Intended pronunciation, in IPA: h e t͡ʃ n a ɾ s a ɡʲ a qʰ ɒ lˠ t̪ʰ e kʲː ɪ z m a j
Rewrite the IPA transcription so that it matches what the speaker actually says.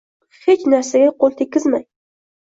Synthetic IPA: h e t͡ʃ n a ɾ s a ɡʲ a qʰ o lˠ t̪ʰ e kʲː ɪ z m a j